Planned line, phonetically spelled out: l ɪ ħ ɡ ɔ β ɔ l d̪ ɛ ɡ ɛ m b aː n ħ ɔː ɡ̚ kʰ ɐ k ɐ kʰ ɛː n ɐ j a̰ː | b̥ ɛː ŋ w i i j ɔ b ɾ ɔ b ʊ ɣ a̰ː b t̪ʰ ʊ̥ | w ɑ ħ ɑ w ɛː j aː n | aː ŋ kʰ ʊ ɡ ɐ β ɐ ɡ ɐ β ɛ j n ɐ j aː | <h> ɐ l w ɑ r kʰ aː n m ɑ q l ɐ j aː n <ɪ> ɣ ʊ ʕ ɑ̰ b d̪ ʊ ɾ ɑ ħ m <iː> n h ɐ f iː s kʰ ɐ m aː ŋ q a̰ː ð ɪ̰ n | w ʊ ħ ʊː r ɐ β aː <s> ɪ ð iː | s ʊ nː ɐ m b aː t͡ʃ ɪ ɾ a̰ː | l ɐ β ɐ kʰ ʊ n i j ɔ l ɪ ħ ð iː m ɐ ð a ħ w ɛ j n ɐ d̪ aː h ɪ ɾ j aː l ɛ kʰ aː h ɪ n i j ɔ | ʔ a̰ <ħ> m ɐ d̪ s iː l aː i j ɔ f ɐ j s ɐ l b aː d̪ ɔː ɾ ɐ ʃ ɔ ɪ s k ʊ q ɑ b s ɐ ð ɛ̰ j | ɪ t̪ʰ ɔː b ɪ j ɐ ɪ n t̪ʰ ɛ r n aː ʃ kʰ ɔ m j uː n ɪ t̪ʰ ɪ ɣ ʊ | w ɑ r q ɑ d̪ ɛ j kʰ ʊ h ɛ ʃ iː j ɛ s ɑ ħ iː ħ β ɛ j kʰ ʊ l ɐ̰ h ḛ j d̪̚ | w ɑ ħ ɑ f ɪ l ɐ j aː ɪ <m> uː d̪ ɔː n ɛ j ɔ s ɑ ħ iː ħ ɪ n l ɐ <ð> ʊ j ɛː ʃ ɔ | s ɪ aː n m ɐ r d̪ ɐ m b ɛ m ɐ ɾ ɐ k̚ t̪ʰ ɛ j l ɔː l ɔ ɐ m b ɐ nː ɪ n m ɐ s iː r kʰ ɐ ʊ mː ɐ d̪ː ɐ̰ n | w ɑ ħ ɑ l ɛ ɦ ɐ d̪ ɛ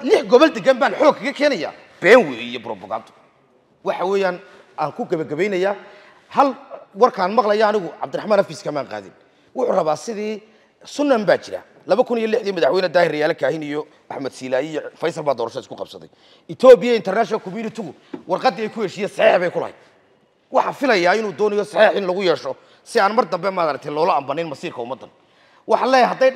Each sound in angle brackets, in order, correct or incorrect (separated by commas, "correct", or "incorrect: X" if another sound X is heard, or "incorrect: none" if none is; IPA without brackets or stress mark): correct, correct, incorrect: aː, correct, correct, incorrect: n, incorrect: ɣ